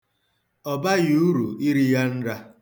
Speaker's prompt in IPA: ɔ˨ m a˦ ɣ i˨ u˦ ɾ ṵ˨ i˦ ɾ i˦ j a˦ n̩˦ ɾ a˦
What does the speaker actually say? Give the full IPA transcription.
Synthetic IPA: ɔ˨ b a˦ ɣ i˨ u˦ ɾ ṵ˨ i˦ ɾ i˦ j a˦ n̩˦ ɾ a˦